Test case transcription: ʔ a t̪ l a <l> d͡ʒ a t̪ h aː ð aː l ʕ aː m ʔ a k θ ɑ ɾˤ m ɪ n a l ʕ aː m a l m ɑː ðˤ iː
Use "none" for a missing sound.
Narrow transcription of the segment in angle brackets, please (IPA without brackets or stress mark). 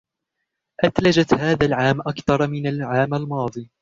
none